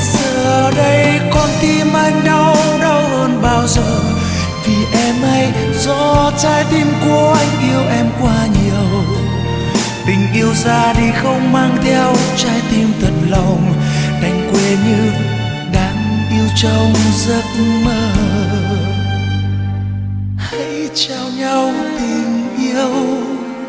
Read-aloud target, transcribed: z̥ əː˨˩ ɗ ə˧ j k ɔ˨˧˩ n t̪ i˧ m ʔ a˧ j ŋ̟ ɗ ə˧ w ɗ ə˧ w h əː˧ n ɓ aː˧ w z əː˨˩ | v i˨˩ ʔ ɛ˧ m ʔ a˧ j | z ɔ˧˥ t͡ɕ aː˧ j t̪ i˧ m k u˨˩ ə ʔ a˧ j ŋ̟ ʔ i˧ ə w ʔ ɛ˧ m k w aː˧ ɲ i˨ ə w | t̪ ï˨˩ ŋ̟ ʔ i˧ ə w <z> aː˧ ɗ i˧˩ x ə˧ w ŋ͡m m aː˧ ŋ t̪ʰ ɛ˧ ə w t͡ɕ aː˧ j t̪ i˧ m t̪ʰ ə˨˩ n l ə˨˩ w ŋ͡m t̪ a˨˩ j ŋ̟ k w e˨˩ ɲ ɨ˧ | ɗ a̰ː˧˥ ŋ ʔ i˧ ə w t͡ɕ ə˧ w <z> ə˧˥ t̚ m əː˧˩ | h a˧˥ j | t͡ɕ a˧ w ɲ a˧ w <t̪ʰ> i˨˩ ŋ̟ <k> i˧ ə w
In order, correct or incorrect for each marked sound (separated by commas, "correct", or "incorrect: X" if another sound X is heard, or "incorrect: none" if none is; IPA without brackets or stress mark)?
correct, correct, incorrect: t̪, incorrect: ʔ